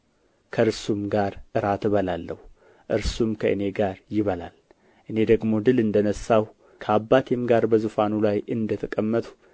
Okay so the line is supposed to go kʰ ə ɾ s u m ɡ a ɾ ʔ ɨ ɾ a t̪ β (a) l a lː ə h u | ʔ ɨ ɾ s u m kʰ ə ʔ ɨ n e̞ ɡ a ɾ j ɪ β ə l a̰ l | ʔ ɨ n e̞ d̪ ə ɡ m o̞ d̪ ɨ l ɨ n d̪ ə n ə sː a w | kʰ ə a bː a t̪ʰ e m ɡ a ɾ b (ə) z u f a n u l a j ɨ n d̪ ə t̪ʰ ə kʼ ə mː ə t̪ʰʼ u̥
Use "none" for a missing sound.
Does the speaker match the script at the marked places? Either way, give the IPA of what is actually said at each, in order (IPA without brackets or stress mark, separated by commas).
ə, ə